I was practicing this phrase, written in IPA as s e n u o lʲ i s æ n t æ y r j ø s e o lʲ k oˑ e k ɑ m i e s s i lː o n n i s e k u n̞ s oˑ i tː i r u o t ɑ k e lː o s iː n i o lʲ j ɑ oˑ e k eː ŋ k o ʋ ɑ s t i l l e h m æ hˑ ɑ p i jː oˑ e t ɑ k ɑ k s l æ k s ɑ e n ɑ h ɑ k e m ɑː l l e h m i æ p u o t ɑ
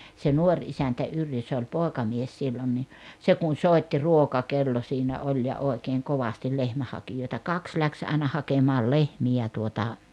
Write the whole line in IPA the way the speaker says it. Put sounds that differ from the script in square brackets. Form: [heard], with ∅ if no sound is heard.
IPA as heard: s e n u o [rʲ] i s æ n t æ y r j ø s e o lʲ [p] oˑ e k ɑ m i e s s i lː o n n i s e k u n̞ s oˑ i tː i r u o [k] ɑ k e lː o s iː n [æ] o lʲ j ɑ oˑ e k eː ŋ k o ʋ ɑ s t i l l e h m æ hˑ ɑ [k] i [j] oˑ e t ɑ k ɑ k s l æ k s ɑ e n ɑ h ɑ k e m ɑː l l e h m i æ [t] u o t ɑ